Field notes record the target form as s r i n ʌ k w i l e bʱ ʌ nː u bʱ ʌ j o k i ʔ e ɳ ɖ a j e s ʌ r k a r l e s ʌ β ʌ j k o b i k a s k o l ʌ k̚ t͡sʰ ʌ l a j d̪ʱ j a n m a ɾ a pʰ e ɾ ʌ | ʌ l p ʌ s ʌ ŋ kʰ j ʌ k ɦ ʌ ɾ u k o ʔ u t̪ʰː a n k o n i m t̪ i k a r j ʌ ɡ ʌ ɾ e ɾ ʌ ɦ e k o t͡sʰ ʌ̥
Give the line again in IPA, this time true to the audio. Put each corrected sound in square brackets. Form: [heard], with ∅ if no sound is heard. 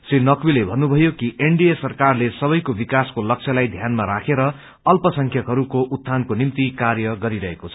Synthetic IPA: s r i n ʌ k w i l e bʱ ʌ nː u bʱ ʌ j o k i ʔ e ɳ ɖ [i] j e s ʌ r k a r l e s ʌ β ʌ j k o b i k a s k o l ʌ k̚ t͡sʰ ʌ l a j d̪ʱ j a n m a ɾ a [kʰ] e ɾ ʌ | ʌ l p ʌ s ʌ ŋ kʰ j ʌ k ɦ ʌ ɾ u k o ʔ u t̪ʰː a n k o n i m t̪ i k a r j ʌ ɡ ʌ ɾ [i] ɾ ʌ ɦ e k o t͡sʰ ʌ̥